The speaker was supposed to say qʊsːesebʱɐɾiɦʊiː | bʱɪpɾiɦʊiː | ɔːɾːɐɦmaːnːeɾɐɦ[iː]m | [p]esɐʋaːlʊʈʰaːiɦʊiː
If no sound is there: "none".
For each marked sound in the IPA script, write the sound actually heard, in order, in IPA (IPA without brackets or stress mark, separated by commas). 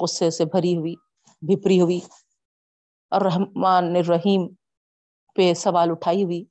iː, p